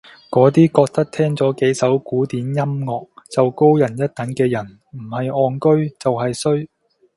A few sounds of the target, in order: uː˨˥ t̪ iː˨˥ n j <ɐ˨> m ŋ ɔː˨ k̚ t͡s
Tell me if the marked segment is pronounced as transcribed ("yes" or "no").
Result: no